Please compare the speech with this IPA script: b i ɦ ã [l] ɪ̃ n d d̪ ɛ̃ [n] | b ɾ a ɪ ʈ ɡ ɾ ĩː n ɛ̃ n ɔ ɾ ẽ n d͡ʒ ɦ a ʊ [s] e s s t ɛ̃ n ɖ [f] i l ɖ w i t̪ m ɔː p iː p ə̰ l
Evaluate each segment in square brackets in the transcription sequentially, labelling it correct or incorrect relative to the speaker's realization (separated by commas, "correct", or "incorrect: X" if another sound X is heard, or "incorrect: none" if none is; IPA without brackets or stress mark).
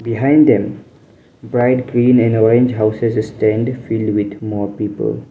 incorrect: none, incorrect: m, correct, correct